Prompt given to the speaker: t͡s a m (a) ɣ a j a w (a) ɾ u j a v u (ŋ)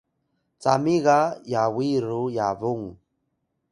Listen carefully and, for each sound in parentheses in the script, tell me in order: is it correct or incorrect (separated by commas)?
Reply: incorrect, incorrect, correct